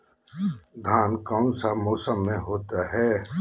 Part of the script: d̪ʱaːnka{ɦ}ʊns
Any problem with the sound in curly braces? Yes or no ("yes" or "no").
yes